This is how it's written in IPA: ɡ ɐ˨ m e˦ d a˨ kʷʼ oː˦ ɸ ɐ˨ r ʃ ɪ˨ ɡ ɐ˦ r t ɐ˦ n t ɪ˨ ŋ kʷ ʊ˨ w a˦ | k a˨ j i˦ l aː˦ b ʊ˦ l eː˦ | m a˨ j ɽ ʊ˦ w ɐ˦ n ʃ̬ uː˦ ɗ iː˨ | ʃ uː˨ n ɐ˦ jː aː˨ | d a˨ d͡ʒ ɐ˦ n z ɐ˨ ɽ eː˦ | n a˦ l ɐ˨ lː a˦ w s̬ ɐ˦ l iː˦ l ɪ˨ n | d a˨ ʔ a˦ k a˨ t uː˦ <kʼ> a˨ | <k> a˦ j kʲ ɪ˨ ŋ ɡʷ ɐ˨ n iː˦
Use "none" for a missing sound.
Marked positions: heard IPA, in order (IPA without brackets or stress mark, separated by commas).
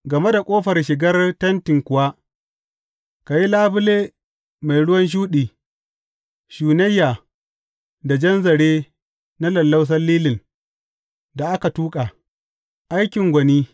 kʼ, ʔ